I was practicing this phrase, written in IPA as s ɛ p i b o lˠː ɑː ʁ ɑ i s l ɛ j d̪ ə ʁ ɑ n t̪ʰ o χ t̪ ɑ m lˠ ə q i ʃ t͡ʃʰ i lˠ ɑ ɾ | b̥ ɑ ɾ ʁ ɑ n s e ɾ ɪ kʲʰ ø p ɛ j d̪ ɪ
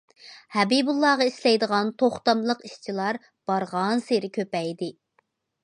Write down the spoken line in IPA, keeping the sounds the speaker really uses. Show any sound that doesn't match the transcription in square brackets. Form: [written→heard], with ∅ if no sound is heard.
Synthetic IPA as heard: [s→h] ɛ [p→b] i b [o→u] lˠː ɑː ʁ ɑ i s l ɛ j d̪ ə ʁ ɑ n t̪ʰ o χ t̪ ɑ m lˠ ə q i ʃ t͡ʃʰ i lˠ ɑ ɾ | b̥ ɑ ɾ ʁ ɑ n s e ɾ ɪ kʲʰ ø p ɛ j d̪ ɪ